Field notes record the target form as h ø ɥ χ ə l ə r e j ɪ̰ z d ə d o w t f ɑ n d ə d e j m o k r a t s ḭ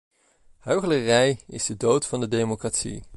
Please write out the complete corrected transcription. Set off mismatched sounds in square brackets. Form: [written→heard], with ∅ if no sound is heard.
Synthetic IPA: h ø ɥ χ ə l ə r [e→ɛ] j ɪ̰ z d ə d o w t f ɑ n d ə d e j m o k r a t s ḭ

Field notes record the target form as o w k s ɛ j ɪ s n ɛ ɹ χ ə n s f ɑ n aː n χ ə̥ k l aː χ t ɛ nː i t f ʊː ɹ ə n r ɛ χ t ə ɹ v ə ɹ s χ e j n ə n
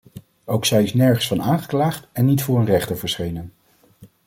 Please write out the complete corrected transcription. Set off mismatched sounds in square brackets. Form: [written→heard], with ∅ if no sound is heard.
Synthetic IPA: o w k s ɛ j ɪ s n ɛ ɹ χ ə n s f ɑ n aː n χ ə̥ k l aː χ t ɛ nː i t f ʊː ɹ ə n r ɛ χ t ə ɹ v ə ɹ s χ e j n ə n

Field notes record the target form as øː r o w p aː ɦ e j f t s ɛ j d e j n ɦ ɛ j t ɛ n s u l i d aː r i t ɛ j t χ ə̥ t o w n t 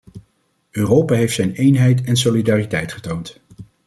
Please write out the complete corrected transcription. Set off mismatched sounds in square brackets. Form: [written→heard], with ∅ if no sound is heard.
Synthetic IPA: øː r o w p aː ɦ e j f t s ɛ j [d→n] e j n ɦ ɛ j t ɛ n s [u→o] l i d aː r i t ɛ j t χ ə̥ t o w n t

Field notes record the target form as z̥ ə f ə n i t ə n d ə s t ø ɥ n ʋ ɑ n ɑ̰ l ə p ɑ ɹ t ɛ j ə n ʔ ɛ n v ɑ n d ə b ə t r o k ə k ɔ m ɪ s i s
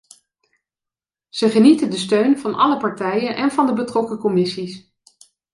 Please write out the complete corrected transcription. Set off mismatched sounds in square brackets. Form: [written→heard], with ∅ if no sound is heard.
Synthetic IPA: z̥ ə [f→χ] ə n i t ə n d ə s t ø ɥ n [ʋ→v] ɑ n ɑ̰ l ə p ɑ ɹ t ɛ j ə n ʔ ɛ n v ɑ n d ə b ə t r [o→ɔ] k ə k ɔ m ɪ s i s

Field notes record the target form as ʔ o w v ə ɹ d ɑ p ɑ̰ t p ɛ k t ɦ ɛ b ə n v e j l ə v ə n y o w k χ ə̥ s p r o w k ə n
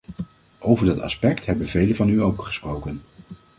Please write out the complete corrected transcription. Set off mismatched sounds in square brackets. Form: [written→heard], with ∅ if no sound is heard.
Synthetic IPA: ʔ o w v ə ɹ d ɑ [p→t] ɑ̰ [t→s] p ɛ k t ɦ ɛ b ə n v e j l ə v [ə→ɑ] n y o w k χ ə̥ s p r o w k ə n

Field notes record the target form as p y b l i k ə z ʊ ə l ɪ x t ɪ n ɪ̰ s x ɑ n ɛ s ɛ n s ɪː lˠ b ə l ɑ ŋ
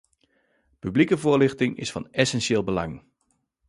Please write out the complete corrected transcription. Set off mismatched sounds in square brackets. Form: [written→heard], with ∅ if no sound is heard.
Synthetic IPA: p y b l i k ə [z→v] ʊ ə l ɪ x t ɪ [n→ŋ] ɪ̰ s [x→f] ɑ n ɛ s ɛ n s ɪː lˠ b ə l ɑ ŋ

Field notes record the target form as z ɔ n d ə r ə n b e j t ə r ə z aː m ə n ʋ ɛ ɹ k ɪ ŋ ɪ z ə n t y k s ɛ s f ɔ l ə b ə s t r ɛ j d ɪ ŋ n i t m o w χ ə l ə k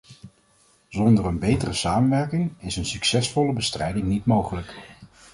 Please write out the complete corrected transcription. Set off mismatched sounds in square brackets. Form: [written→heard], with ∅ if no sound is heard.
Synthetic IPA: z ɔ n d ə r ə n b e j t ə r ə [z→s] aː m ə n ʋ ɛ ɹ k ɪ ŋ ɪ [z→s] ə n [t→s] y k s ɛ s f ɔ l ə b ə s t r ɛ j d ɪ ŋ n i t m o w χ ə l ə k

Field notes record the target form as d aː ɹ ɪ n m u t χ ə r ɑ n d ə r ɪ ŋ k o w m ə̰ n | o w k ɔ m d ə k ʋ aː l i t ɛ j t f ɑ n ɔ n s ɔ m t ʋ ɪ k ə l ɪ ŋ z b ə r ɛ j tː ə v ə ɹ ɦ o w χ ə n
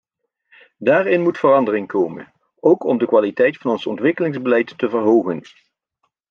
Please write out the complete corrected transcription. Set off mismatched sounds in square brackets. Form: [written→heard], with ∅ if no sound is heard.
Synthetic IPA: d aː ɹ ɪ n m u t [χ→f] ə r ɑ n d ə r ɪ ŋ k o w m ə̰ n | o w k ɔ m d ə k ʋ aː l i t ɛ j t f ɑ n ɔ n s ɔ [m→n] t ʋ ɪ k ə l ɪ ŋ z b ə [r→l] ɛ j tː ə v ə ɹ ɦ o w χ ə n

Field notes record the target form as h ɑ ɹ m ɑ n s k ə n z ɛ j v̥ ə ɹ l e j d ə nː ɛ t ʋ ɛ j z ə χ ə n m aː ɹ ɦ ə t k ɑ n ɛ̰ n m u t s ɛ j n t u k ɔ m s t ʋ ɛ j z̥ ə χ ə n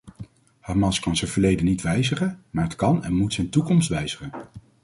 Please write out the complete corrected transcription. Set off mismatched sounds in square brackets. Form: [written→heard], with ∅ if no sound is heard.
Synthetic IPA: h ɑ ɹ m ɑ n s k [ə→ɑ] n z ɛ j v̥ ə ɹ l e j d ə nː [ɛ→i] t ʋ ɛ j z ə χ ə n m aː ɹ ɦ ə t k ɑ n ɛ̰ n m u t s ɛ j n t u k ɔ m s t ʋ ɛ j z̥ ə χ ə n

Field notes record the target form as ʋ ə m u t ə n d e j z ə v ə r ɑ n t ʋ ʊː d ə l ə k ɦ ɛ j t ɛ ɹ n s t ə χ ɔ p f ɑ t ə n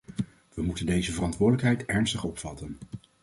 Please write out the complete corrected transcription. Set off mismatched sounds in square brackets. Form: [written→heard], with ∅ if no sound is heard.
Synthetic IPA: ʋ ə m u t ə n d e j z ə v ə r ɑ n t ʋ ʊː d ə l ə k ɦ ɛ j t ɛ ɹ n s t ə χ ɔ p f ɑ t ə n

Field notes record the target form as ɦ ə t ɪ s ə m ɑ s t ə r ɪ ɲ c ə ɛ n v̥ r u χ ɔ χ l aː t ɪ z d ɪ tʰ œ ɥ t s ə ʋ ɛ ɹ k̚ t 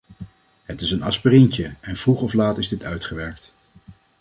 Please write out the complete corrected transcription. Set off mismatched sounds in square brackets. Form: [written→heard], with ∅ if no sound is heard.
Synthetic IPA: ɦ ə t ɪ s ə [m→n] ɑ s [t→p] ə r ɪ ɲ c ə ɛ n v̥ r u χ ɔ [χ→f] l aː t ɪ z d ɪ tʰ œ ɥ t [s→χ] ə ʋ ɛ ɹ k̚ t

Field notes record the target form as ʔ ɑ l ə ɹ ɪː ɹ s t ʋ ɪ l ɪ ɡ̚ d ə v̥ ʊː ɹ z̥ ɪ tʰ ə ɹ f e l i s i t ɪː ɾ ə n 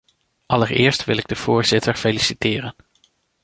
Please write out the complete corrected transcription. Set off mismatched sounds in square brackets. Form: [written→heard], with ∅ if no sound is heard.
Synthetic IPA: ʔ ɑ l ə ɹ ɪː ɹ s t ʋ ɪ l ɪ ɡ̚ d ə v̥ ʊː ɹ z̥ ɪ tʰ ə ɹ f e l i s i t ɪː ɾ ə n

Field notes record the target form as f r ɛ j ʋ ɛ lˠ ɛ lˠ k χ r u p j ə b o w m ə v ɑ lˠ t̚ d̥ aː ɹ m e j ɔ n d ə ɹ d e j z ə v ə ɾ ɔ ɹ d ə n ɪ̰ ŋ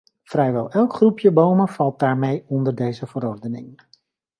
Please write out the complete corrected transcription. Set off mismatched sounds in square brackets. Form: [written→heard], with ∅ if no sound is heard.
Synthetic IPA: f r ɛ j ʋ ɛ lˠ ɛ lˠ k χ r u p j ə b o w m ə v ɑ lˠ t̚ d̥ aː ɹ m e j ɔ n d ə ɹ d e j z ə v ə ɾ ɔ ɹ d ə n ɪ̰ ŋ

